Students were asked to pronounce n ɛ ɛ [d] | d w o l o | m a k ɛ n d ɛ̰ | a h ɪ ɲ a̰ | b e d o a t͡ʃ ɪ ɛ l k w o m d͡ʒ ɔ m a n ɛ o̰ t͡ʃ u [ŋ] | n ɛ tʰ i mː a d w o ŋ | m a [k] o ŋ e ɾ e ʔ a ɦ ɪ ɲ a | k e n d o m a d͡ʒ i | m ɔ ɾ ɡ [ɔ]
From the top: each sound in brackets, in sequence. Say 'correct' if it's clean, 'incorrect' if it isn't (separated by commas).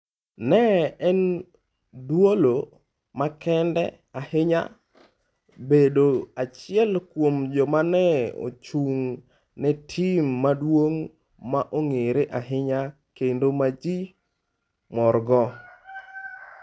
incorrect, correct, incorrect, correct